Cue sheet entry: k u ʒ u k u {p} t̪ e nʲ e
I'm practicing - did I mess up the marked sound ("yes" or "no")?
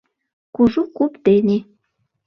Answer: no